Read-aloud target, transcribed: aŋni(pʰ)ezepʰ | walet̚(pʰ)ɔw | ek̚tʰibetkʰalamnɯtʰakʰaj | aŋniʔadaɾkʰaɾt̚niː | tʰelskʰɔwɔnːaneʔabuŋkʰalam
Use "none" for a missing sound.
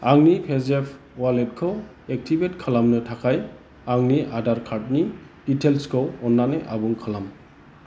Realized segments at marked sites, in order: pʰ, kʰ

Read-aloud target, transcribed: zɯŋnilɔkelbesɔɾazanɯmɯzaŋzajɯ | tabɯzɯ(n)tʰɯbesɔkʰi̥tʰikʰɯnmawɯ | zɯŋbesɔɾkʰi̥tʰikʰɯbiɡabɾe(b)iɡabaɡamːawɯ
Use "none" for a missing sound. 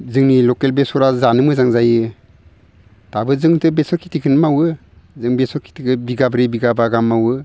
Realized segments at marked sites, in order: ŋ, b

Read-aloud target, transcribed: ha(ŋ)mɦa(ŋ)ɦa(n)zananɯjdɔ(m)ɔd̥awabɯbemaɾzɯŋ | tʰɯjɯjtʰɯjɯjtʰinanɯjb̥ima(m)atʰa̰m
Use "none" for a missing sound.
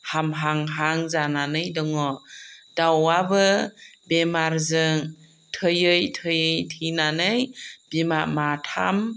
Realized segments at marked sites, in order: none, ŋ, ŋ, ŋ, m

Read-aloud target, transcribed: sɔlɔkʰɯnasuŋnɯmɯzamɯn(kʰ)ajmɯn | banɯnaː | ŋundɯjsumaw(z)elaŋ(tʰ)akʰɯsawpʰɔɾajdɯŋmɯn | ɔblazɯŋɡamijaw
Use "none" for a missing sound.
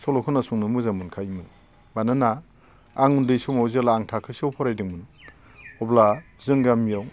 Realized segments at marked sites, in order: kʰ, z, tʰ

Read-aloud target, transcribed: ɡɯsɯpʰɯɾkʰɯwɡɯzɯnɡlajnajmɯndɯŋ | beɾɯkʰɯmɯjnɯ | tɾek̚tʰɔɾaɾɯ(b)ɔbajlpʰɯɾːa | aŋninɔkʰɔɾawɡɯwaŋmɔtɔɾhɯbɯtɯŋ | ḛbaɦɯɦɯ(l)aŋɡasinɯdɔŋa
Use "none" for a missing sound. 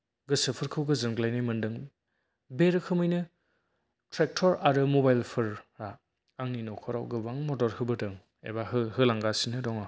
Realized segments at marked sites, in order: m, l

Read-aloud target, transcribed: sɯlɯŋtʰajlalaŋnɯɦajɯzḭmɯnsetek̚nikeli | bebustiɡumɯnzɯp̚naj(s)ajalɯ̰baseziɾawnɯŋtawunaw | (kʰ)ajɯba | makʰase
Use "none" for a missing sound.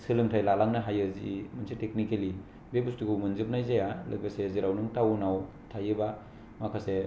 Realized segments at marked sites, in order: z, tʰ

